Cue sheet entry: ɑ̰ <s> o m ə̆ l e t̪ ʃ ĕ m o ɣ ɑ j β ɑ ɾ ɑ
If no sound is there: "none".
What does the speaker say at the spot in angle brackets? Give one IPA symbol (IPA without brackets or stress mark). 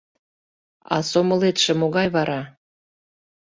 s